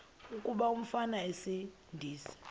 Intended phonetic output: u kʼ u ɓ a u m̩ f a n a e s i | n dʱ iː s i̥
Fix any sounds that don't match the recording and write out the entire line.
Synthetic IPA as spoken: u kʼ u ɓ a u m̩ f a n a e s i | n dʱ iː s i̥